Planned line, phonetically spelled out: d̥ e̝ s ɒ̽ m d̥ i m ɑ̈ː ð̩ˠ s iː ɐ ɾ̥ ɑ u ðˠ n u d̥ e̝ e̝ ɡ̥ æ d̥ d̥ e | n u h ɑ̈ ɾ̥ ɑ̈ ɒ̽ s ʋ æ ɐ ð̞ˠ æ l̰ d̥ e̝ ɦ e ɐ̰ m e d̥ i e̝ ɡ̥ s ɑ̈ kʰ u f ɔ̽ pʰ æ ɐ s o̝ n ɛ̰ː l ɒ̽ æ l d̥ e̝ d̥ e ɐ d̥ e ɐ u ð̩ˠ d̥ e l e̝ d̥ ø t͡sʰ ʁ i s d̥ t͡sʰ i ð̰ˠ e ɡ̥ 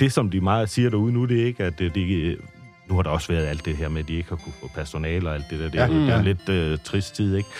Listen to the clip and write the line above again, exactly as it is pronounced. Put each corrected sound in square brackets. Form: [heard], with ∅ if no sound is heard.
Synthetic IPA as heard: d̥ e̝ s ɒ̽ m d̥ i m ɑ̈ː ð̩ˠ s iː ɐ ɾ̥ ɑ u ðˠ n u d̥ e̝ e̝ ɡ̥ æ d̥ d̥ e | n u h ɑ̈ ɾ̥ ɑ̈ ɒ̽ s ʋ æ ɐ ð̞ˠ æ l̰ d̥ e̝ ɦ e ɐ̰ m e d̥ i e̝ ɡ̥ [h] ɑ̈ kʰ u f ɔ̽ pʰ æ ɐ s o̝ n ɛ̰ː l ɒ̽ æ l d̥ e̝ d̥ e ɐ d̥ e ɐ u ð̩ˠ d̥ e l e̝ d̥ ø t͡sʰ ʁ i s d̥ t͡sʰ i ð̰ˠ e ɡ̥